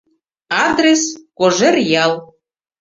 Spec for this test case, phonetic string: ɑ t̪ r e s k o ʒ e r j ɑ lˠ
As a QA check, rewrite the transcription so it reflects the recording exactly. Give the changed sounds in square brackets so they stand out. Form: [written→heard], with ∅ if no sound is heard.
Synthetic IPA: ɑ [t̪→d̪] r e s k o ʒ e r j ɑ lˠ